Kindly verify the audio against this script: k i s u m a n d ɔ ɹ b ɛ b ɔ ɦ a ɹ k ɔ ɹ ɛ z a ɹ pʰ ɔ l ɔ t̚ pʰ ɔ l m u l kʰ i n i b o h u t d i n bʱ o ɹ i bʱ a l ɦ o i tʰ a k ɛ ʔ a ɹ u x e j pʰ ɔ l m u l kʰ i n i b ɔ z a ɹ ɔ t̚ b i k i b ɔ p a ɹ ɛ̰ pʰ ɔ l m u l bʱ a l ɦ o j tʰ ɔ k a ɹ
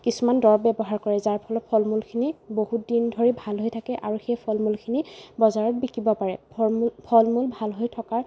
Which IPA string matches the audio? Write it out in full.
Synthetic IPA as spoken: k i s u m a n d ɔ ɹ b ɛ b ɔ ɦ a ɹ k ɔ ɹ ɛ z a ɹ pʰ ɔ l ɔ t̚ pʰ ɔ l m u l kʰ i n i b o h u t d i n dʱ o ɹ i bʱ a l ɦ o j tʰ a k ɛ ʔ a ɹ u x e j pʰ ɔ l m u l kʰ i n i b ɔ z a ɹ ɔ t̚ b i k i b ɔ p a ɹ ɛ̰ pʰ ɔ l m u l bʱ a l ɦ o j tʰ ɔ k a ɹ